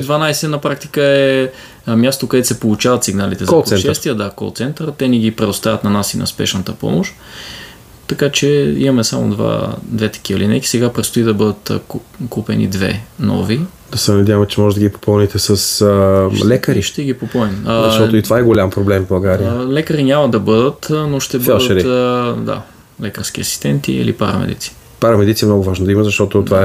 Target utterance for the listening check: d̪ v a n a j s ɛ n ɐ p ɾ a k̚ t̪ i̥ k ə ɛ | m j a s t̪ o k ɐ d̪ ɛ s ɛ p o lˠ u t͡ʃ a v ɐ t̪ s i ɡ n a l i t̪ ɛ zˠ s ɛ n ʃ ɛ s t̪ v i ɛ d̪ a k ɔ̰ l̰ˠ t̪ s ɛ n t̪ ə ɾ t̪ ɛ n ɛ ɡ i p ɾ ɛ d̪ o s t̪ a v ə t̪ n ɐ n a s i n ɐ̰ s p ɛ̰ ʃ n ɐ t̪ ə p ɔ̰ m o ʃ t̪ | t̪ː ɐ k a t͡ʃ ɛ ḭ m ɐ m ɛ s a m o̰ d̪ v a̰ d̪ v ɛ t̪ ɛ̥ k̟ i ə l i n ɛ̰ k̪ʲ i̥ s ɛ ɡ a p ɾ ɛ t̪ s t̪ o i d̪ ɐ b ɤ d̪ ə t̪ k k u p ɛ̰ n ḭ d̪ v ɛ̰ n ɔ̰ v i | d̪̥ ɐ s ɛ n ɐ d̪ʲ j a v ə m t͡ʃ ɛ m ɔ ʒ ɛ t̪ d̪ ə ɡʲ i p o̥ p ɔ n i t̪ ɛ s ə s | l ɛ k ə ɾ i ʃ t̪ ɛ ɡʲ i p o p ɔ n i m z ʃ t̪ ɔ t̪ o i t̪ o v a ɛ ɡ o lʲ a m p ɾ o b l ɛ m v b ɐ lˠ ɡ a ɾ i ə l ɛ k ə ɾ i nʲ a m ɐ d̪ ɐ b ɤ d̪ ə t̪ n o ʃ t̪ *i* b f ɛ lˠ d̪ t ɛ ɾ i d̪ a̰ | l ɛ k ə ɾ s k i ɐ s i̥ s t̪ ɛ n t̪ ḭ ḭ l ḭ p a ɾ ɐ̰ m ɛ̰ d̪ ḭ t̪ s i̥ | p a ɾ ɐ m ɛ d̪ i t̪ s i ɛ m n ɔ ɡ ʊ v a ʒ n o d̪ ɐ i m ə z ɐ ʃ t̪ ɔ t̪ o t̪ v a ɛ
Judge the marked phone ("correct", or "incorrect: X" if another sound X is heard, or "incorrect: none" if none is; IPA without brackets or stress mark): incorrect: ɛ